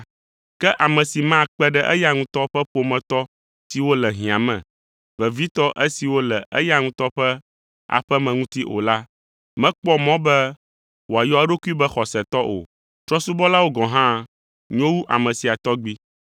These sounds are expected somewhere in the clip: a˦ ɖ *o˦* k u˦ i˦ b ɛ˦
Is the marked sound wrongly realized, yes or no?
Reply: no